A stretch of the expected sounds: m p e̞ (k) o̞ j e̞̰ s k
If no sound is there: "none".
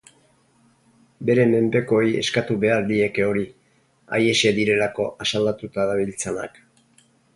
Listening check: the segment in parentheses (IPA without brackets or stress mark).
k